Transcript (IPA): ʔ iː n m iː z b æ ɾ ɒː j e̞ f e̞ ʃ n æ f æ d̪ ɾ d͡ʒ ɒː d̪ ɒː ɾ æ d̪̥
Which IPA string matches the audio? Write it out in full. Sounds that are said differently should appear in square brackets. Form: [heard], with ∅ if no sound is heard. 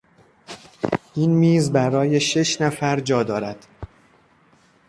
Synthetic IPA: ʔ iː n m iː z b æ ɾ ɒː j e̞ [ʃ] e̞ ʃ n æ f æ [∅] ɾ d͡ʒ ɒː d̪ ɒː ɾ æ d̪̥